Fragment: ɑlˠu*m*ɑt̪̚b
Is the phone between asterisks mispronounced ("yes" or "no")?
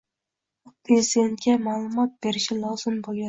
no